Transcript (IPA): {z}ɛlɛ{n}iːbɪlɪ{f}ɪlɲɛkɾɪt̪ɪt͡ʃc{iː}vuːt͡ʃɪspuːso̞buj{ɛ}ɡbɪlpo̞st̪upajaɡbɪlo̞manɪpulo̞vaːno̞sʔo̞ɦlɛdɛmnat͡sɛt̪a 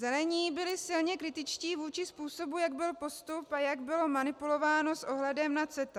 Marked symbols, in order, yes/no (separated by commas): yes, no, no, yes, no